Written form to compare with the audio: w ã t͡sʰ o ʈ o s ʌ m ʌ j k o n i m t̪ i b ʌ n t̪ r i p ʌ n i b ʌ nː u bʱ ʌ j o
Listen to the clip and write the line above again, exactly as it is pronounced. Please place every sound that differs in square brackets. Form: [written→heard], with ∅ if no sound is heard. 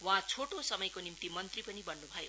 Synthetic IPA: w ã t͡sʰ o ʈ o s ʌ m ʌ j k o n i m t̪ i [b→m] ʌ n t̪ r i p ʌ n i b ʌ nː u bʱ ʌ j o